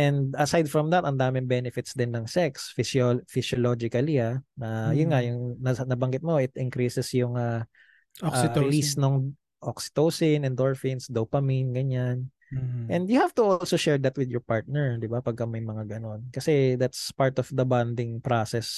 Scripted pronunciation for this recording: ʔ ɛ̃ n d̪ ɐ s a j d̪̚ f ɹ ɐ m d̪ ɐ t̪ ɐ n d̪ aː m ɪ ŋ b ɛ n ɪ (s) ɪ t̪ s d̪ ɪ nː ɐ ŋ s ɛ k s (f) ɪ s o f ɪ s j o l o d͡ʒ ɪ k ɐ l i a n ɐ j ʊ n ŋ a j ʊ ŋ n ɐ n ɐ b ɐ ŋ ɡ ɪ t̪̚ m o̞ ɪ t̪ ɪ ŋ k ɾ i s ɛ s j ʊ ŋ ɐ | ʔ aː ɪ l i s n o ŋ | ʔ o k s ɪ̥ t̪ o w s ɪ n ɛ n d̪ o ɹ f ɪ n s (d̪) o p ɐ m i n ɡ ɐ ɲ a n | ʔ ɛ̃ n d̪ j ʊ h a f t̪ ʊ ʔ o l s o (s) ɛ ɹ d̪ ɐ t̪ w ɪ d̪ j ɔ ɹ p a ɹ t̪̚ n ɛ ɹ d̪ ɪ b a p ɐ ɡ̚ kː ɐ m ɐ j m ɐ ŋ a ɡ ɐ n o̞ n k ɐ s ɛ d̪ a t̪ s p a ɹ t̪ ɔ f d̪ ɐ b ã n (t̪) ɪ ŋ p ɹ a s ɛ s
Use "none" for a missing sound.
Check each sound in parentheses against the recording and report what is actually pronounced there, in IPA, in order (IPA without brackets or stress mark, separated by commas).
f, f, d̪, ʃ, d̪